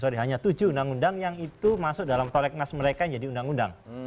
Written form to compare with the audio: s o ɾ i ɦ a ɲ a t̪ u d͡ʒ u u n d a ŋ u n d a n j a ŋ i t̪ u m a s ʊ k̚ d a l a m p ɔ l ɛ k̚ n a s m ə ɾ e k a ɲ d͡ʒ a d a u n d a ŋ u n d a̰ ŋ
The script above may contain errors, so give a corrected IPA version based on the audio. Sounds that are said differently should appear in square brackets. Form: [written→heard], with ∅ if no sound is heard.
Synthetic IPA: s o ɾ i ɦ a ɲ a t̪ u d͡ʒ u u n d a ŋ u n d a [n→ŋ] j a ŋ i t̪ u m a s ʊ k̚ d a l a m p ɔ l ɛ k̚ n a s m ə ɾ e k a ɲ d͡ʒ a d [a→i] u n d a ŋ u n d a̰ ŋ